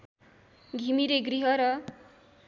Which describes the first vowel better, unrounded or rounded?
unrounded